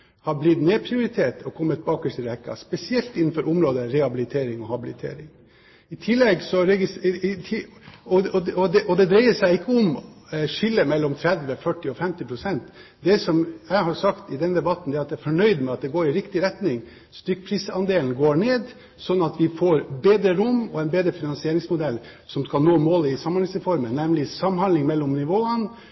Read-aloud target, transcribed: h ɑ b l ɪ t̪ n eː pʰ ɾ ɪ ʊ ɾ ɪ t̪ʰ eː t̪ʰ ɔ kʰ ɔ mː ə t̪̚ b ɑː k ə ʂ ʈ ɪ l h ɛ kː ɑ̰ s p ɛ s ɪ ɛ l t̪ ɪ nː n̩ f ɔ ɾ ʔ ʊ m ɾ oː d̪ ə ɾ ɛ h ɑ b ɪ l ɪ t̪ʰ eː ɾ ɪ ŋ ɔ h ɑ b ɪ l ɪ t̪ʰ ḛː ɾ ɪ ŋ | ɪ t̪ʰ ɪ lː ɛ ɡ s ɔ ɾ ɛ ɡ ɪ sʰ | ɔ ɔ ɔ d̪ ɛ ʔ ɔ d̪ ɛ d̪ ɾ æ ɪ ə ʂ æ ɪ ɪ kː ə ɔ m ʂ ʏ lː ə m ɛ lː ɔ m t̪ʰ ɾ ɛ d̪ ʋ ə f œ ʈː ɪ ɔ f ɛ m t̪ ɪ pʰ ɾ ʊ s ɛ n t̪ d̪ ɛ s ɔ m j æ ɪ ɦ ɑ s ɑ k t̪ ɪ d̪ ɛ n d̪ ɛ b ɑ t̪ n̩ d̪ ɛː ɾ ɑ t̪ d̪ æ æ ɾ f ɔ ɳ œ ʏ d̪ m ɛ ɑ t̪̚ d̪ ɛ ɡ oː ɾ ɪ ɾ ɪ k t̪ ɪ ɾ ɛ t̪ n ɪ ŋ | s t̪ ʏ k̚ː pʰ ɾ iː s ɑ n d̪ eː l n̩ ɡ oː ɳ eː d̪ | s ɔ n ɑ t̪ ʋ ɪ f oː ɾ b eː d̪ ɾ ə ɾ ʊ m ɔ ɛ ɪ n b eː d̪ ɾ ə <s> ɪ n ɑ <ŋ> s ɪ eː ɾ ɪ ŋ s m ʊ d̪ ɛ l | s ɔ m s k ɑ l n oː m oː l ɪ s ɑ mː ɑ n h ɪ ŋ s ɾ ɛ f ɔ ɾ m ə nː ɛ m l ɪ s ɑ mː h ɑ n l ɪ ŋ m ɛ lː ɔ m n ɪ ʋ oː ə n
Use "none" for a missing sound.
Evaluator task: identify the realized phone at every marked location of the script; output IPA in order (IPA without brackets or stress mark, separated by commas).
f, n